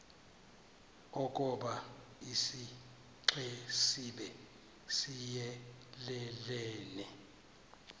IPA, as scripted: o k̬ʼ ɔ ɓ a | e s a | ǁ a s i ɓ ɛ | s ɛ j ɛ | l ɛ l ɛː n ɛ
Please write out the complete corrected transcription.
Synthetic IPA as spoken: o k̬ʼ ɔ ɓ a | i s i | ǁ ɛ s i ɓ ɛ | s i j ɛ | l ɛ l ɛː n ɛ